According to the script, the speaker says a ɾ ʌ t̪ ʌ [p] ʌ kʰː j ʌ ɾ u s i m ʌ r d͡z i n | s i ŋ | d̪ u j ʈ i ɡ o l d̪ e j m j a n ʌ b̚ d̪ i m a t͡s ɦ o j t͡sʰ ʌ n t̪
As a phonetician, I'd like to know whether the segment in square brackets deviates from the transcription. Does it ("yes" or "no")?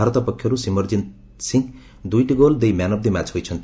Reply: no